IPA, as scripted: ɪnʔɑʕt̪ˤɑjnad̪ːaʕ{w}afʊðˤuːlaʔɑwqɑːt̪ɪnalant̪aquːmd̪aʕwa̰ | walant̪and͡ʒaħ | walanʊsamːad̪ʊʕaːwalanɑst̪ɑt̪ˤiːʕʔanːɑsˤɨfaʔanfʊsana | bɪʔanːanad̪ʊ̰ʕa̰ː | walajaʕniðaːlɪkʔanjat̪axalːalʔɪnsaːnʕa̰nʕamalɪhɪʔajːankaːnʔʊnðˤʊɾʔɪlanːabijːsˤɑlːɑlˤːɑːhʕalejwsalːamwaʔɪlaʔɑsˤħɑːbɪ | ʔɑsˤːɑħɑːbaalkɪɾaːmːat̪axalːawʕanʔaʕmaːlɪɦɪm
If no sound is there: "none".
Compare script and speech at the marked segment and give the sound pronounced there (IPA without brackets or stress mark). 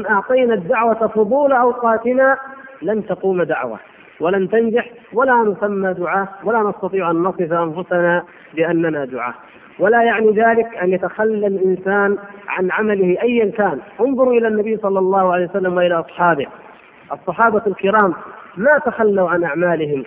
w